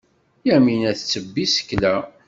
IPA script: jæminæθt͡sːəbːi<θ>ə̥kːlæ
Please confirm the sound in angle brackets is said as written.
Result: no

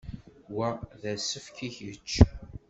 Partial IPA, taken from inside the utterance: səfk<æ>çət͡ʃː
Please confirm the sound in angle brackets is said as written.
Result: no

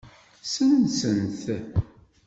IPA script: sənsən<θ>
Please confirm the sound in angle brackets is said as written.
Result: yes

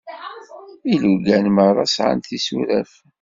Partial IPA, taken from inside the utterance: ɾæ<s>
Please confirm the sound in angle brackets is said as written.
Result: no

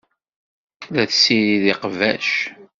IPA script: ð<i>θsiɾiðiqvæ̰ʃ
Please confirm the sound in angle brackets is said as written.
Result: no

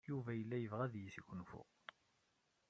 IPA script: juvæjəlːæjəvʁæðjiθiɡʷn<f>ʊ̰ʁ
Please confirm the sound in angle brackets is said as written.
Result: yes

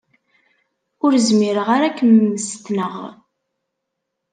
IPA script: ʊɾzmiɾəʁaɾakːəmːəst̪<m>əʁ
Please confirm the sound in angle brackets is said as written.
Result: no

